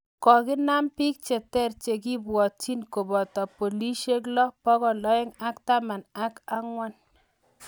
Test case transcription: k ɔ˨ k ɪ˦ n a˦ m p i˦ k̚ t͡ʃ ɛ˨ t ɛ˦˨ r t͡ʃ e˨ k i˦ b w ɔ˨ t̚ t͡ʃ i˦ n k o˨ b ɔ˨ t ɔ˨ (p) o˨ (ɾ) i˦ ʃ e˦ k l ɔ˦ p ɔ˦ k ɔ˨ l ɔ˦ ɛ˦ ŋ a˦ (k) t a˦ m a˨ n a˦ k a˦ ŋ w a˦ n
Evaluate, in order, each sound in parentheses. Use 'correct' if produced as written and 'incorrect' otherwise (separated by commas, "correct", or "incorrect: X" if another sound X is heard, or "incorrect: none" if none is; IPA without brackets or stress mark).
correct, incorrect: l, correct